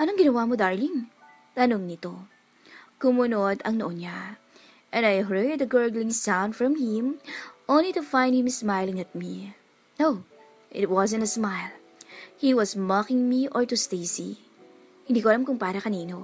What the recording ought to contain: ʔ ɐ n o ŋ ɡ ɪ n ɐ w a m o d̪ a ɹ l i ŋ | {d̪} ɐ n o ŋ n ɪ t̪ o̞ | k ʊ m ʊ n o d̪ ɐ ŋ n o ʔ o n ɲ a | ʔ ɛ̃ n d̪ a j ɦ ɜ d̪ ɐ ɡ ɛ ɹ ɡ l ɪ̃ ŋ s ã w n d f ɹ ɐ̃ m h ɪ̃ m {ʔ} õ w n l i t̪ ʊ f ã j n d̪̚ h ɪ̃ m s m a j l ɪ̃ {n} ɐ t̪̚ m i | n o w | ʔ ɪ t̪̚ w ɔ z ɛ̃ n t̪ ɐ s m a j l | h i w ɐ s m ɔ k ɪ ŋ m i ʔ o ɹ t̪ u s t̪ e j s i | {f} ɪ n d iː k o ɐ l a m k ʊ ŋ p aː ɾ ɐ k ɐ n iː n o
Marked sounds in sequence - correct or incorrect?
incorrect, correct, incorrect, incorrect

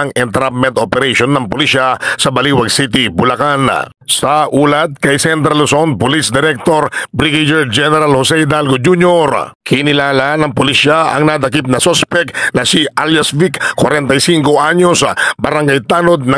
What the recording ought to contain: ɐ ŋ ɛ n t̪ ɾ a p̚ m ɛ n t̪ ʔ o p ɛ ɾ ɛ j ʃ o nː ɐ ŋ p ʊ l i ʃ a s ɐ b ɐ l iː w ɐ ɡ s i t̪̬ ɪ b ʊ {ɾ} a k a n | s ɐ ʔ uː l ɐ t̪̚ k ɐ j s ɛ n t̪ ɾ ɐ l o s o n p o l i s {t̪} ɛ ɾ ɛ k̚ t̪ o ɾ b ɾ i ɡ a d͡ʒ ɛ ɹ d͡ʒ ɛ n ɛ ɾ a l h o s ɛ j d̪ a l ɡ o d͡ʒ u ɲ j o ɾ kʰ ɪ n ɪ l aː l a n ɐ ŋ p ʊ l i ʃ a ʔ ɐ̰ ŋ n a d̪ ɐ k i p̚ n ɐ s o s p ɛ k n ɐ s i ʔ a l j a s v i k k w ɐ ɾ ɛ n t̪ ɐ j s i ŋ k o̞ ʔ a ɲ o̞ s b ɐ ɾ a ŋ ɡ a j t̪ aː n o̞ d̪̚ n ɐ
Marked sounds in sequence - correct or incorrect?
incorrect, incorrect

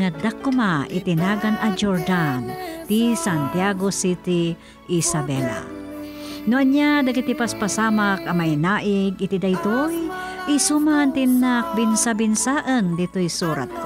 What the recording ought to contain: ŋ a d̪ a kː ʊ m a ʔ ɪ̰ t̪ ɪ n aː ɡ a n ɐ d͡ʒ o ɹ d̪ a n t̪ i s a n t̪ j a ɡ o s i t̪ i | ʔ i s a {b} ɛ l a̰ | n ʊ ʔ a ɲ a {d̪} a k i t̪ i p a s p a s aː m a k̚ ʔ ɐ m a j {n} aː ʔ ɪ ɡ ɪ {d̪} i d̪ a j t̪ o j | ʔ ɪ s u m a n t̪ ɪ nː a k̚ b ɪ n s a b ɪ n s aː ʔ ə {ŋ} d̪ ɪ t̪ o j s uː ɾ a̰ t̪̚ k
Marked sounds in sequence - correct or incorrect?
correct, correct, correct, incorrect, incorrect

